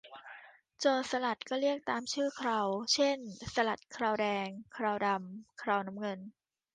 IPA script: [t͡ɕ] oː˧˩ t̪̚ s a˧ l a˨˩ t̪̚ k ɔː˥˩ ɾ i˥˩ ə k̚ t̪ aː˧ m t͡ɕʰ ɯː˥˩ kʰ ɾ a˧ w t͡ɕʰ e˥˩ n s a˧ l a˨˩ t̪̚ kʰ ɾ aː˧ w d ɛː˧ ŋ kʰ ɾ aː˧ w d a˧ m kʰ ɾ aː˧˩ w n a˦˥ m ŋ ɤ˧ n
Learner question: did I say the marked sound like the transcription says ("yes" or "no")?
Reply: yes